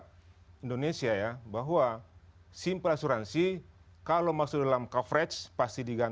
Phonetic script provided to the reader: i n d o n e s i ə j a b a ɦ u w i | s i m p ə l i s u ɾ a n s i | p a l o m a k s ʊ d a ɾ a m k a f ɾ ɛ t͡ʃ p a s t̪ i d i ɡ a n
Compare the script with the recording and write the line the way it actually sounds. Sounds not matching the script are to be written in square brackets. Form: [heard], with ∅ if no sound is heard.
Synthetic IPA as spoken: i n d o n e s i [a] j a b a ɦ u w [a] | s i m p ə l [a] s u ɾ a n s i | [k] a l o m a k s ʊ d a [l] a m k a f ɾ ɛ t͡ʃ p a s t̪ i d i ɡ a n